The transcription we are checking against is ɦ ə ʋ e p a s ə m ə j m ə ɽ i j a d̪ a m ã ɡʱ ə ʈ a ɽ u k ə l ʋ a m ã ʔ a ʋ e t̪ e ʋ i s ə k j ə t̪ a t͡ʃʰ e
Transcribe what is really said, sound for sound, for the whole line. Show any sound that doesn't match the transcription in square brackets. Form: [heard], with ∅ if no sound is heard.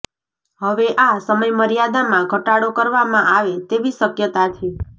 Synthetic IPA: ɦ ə ʋ e [ʔ] a s ə m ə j m ə [ɾ] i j a d̪ a m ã ɡʱ ə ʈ a ɽ [o] k ə [ɾ] ʋ a m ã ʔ a ʋ e t̪ e ʋ i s ə k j ə t̪ a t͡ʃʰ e